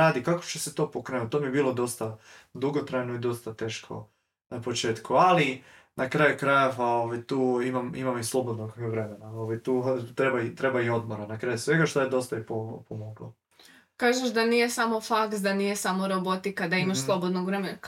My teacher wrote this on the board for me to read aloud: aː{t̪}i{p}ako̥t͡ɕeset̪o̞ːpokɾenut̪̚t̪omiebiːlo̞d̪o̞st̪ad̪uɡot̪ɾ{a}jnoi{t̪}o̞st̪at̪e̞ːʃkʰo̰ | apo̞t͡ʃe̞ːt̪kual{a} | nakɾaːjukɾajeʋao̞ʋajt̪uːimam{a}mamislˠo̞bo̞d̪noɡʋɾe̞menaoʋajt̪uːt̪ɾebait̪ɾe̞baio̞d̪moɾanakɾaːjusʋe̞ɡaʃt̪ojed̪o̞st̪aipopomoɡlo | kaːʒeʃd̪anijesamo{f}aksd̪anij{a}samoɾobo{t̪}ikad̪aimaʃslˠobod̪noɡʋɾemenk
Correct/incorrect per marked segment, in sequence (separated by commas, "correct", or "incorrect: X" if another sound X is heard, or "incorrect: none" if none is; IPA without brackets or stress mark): incorrect: d̪, incorrect: k, correct, incorrect: d̪, incorrect: i, incorrect: i, correct, incorrect: e, correct